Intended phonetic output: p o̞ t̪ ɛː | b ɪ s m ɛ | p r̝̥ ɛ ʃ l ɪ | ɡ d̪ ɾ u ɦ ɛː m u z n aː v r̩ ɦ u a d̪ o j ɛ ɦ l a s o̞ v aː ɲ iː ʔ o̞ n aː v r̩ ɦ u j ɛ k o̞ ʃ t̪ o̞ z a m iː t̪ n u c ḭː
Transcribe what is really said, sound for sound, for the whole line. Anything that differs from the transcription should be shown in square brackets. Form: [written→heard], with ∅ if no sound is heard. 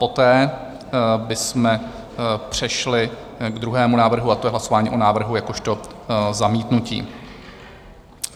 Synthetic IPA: p o̞ t̪ ɛː | b ɪ s m ɛ | p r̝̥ ɛ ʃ l ɪ | ɡ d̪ ɾ u ɦ ɛː m u [z→∅] n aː v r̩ ɦ u a [d̪→t̪] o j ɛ ɦ l a s o̞ v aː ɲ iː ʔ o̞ n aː v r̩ ɦ u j [ɛ→a] k o̞ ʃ t̪ o̞ z a m iː t̪ n u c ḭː